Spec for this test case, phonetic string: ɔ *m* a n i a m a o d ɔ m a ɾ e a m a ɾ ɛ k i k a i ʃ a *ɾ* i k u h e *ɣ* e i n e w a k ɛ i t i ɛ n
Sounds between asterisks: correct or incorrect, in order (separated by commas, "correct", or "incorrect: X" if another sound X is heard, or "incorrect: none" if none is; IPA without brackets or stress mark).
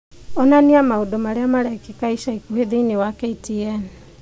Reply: incorrect: n, incorrect: none, incorrect: ð